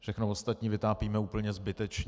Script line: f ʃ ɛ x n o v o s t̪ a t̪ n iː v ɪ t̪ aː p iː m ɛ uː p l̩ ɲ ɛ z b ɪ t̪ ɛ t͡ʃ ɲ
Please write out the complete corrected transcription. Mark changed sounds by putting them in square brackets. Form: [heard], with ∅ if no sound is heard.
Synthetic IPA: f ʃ ɛ x n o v o s t̪ a t̪ [ɲ] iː v ɪ t̪ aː p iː m ɛ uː p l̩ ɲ ɛ z b ɪ t̪ ɛ t͡ʃ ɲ

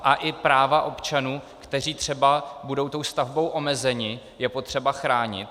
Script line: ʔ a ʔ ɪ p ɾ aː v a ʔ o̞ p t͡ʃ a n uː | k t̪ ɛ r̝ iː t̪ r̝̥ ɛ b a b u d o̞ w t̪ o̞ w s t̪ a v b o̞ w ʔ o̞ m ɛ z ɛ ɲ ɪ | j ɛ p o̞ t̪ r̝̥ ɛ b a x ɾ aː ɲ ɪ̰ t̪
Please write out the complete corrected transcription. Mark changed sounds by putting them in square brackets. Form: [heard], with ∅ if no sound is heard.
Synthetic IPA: ʔ a ʔ ɪ p ɾ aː v a ʔ o̞ p t͡ʃ a n uː | k t̪ ɛ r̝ iː t̪ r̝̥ ɛ b a b u d o̞ w t̪ o̞ w s t̪ a v b o̞ w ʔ o̞ m ɛ z ɛ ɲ ɪ | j ɛ p o̞ t̪ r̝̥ ɛ b a x ɾ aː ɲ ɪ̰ t̪

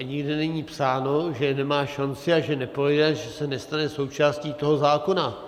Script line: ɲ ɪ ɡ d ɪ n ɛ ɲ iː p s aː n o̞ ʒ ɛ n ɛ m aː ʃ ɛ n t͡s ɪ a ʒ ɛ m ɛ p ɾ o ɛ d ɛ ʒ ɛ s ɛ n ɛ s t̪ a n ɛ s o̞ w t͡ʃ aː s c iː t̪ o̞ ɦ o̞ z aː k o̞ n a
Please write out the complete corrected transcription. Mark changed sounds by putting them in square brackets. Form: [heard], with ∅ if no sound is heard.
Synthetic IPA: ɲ ɪ ɡ d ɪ n ɛ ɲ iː p s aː n o̞ ʒ ɛ n ɛ m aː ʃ [a] n t͡s ɪ a ʒ ɛ [n] ɛ p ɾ o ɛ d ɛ ʒ ɛ s ɛ n ɛ s t̪ a n ɛ s o̞ w t͡ʃ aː s c iː t̪ o̞ ɦ o̞ z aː k o̞ n a

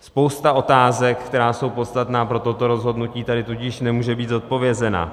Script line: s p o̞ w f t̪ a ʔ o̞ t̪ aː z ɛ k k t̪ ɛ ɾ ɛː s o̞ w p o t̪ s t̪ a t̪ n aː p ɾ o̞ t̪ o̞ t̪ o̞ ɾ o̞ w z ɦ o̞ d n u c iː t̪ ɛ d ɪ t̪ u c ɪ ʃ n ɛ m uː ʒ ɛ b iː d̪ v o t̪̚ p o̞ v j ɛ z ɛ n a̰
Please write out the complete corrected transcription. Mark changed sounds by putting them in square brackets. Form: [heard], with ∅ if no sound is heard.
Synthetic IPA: s p o̞ w [s] t̪ a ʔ o̞ t̪ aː z ɛ k k t̪ ɛ ɾ [aː] s o̞ w p o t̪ s t̪ a t̪ n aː p ɾ o̞ t̪ o̞ t̪ o̞ ɾ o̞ [∅] z ɦ o̞ d n u c iː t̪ [a] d ɪ t̪ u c ɪ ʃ n ɛ m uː ʒ ɛ b iː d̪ [z] o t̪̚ p o̞ v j ɛ z ɛ n a̰

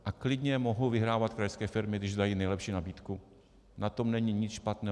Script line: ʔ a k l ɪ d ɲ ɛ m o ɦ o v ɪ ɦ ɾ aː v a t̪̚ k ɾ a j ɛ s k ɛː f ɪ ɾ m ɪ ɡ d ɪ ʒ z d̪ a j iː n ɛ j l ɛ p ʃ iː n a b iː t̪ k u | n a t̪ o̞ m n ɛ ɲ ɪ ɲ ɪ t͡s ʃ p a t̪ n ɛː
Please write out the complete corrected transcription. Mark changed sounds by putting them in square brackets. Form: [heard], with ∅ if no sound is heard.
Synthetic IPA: ʔ a k l ɪ d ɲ ɛ m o ɦ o v ɪ ɦ ɾ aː v a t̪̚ k ɾ a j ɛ s k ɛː f ɪ ɾ m ɪ ɡ d ɪ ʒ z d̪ a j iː n ɛ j l ɛ p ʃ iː n a b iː t̪ k u | n a t̪ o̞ m n ɛ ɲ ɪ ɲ ɪ t͡s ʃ p a t̪ n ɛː

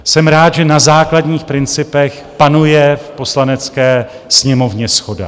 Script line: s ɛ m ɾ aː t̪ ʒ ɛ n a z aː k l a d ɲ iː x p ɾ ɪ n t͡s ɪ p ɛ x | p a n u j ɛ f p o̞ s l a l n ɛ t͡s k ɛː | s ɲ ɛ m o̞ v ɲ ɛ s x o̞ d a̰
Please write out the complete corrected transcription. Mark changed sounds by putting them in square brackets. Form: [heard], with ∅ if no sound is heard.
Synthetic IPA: s ɛ m ɾ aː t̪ ʒ ɛ n a z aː k l a d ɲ iː x p ɾ ɪ n t͡s ɪ p ɛ x | p a n u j ɛ f p o̞ s l a [∅] n ɛ t͡s k ɛː | s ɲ ɛ m o̞ v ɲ ɛ s x o̞ d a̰

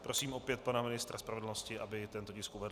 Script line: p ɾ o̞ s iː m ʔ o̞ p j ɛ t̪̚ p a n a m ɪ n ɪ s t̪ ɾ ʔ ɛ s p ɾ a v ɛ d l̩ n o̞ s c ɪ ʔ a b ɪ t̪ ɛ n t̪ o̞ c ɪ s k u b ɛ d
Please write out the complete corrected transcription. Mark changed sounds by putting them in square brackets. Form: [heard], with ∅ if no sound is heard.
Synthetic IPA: p ɾ o̞ s iː m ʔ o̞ p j ɛ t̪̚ p a n a m ɪ n ɪ s t̪ ɾ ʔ [a] s p ɾ a v ɛ d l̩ n o̞ s c ɪ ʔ a b ɪ t̪ ɛ n t̪ o̞ c ɪ s k u [v] ɛ d

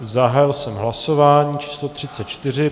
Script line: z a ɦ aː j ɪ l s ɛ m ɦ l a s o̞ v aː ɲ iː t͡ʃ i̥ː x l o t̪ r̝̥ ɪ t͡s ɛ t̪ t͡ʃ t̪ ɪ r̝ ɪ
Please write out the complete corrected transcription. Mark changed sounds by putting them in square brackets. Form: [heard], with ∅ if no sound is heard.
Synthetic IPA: z a ɦ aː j ɪ l s ɛ m ɦ l a s o̞ v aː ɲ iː t͡ʃ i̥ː [s] l o t̪ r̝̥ ɪ t͡s ɛ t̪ t͡ʃ t̪ ɪ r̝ ɪ

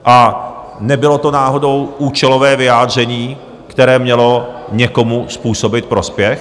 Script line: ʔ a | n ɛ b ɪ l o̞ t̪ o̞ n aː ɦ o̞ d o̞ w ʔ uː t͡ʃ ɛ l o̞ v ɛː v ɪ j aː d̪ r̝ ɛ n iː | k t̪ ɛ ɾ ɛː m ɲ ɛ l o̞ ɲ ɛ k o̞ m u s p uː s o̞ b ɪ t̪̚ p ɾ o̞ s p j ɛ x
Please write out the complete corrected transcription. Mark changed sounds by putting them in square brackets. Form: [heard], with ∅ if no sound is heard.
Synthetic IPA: ʔ a | n ɛ b ɪ l o̞ t̪ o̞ n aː ɦ o̞ d o̞ w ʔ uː t͡ʃ ɛ l o̞ v ɛː v ɪ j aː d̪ r̝ ɛ [ɲ] iː | k t̪ ɛ ɾ ɛː m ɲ ɛ l o̞ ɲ ɛ k o̞ m u s p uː s o̞ b ɪ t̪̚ p ɾ o̞ s p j ɛ x

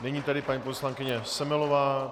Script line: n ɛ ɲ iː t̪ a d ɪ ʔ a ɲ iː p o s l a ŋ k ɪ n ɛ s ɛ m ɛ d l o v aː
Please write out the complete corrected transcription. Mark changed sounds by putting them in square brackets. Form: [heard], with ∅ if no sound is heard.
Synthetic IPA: n ɛ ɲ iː t̪ a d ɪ [p] a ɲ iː p o s l a ŋ k ɪ [ɲ] ɛ s ɛ m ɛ [∅] l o v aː

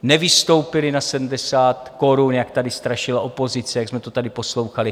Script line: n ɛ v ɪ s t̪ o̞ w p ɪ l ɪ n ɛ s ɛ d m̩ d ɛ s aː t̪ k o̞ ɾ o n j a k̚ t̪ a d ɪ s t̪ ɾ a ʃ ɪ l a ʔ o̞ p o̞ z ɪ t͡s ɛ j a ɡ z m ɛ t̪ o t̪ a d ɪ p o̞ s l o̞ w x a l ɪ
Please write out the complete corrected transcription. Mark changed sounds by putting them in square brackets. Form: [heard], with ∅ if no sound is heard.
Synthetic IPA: n ɛ v ɪ s t̪ o̞ w p ɪ l ɪ n [a] s ɛ d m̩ d ɛ s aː t̪ k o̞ ɾ [u] n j a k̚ t̪ a d ɪ s t̪ ɾ a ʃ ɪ l a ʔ o̞ p o̞ z ɪ t͡s ɛ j a ɡ z m ɛ t̪ o t̪ a d ɪ p o̞ s l o̞ w x a l ɪ

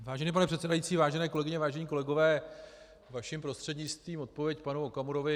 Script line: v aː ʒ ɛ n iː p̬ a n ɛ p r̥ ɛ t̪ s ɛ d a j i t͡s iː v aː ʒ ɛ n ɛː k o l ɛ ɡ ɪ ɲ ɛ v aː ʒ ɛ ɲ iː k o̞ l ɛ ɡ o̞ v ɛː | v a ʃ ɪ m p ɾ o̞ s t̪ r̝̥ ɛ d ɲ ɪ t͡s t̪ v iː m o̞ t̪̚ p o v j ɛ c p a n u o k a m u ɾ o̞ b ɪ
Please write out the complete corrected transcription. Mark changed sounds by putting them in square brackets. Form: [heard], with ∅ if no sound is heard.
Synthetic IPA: v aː ʒ ɛ n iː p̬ a n ɛ p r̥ ɛ t̪ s ɛ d a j i t͡s iː v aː ʒ ɛ n ɛː k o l ɛ ɡ ɪ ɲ ɛ v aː ʒ ɛ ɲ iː k o̞ l ɛ ɡ o̞ v ɛː | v a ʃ ɪ m p ɾ o̞ s t̪ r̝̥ ɛ d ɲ ɪ t͡s t̪ v iː m o̞ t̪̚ p o v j ɛ c p a n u o k a m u ɾ o̞ [v] ɪ

